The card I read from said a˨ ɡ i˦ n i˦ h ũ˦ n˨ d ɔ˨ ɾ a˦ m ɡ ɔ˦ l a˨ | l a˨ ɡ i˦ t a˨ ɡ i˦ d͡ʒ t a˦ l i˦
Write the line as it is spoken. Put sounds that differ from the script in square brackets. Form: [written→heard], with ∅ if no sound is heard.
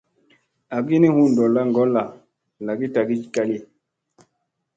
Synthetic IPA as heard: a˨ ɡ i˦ n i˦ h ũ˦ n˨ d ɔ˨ [ɾ→l] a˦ [m→ŋ] ɡ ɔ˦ l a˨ | l a˨ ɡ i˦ t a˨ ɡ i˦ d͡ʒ [t→k] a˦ l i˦